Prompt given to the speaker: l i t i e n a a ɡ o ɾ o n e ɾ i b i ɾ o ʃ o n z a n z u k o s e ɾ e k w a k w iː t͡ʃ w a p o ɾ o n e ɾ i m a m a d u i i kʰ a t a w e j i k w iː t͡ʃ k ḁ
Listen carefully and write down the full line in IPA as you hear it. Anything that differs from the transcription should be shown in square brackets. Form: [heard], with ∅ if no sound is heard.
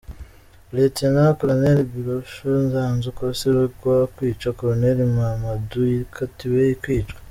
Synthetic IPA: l [e] t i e n a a [k] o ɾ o n e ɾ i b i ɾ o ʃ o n z a n z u k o s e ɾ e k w a k w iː t͡ʃ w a [k] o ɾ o n e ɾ i m a m a d u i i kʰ a t [i] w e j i k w iː t͡ʃ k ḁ